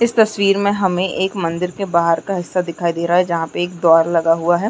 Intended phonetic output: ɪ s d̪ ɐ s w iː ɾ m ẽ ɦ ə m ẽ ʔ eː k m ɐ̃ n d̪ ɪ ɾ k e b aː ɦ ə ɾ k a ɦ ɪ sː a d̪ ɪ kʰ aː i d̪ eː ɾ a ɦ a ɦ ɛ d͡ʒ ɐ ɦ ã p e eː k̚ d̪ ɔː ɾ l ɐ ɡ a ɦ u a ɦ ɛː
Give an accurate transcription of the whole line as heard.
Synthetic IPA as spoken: ɪ s t̪ ɐ s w iː ɾ m ẽ ɦ ɐ m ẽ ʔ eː k m ɐ̃ n d̪ ɪ ɾ k e b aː ɦ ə ɾ k a ɦ ɪ sː a d̪ ɪ kʰ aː i d̪ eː ɾ a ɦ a ɦ ɛ d͡ʒ ɐ ɦ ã p e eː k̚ d̪ ɔː ɾ l ɐ ɡ a ɦ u a ɦ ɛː